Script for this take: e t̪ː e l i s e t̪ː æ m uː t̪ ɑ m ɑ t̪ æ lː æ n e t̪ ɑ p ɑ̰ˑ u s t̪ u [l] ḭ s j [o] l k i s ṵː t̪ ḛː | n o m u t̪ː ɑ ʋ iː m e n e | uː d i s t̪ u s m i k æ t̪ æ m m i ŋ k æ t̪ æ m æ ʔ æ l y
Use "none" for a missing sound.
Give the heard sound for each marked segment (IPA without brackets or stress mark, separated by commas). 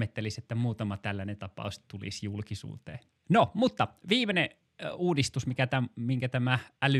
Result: l, u